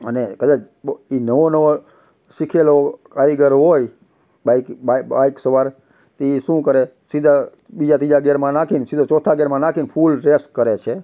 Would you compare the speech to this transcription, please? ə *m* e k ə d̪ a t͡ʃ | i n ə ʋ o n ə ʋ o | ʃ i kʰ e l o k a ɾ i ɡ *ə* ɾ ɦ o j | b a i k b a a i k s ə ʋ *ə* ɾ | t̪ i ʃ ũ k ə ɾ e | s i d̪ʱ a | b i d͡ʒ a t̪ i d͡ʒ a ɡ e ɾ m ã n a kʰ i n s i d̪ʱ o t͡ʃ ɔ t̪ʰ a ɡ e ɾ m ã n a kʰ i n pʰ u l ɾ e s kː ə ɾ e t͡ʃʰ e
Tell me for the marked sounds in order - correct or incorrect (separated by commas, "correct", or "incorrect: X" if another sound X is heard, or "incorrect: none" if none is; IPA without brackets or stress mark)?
incorrect: n, correct, incorrect: a